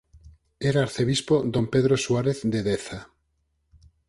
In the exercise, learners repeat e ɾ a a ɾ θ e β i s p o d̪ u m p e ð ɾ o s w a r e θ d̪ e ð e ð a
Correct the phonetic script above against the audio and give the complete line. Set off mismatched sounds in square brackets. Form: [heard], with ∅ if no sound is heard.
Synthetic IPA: e ɾ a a ɾ θ e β i s p o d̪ [o] m p e ð ɾ o s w a [ɾ] e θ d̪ e ð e [θ] a